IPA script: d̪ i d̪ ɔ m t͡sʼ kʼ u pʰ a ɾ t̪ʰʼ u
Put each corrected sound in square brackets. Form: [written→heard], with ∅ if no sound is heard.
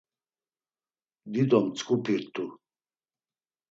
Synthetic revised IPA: d̪ i d̪ ɔ m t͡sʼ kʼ u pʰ [a→i] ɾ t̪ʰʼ u

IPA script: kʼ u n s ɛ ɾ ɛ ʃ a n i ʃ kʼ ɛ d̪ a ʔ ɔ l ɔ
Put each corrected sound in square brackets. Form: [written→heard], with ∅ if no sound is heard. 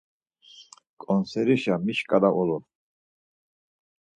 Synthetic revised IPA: kʼ [u→ɔ] n s ɛ ɾ [ɛ→i] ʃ a [n→m] i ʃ kʼ [ɛ→a] d̪ a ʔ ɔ l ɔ

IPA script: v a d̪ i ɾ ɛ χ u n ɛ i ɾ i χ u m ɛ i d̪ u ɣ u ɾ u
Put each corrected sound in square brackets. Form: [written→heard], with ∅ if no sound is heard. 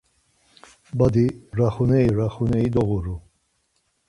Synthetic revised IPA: [v→b] a d̪ i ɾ [ɛ→a] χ u n ɛ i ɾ [i→a] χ u [m→n] ɛ i d̪ [u→ɔ] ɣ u ɾ u

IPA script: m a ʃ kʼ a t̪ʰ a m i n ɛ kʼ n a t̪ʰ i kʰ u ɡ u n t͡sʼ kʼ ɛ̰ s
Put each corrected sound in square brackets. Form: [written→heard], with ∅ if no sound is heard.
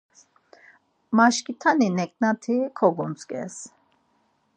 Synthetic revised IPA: m a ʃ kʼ [a→i] t̪ʰ a [m→n] i n ɛ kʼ n a t̪ʰ i kʰ [u→ɔ] ɡ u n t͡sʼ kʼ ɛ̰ s

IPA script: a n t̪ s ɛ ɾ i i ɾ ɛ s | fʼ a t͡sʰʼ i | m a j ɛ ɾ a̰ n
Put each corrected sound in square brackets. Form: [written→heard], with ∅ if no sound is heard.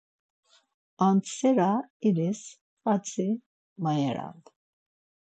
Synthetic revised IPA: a n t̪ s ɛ ɾ [i→a] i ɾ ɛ s | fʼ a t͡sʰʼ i | m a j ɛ ɾ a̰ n

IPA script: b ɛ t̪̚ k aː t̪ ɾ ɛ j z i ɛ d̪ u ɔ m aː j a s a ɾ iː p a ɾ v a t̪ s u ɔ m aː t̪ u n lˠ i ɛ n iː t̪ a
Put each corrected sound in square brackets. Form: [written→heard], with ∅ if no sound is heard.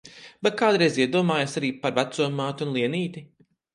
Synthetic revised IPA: b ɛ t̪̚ k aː [t̪→d̪] ɾ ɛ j z i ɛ d̪ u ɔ m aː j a s a ɾ iː p a ɾ v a t̪ s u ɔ m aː t̪ u n lˠ i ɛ n iː t̪ [a→i]

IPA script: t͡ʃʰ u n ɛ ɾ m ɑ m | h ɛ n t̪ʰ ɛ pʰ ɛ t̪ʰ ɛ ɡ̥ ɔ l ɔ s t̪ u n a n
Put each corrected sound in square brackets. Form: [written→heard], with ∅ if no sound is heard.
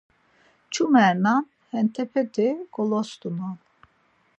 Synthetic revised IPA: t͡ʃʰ u [n→m] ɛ ɾ [m→n] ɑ [m→n] | h ɛ n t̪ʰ ɛ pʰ ɛ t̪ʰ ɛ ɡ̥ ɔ l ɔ s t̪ u n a n

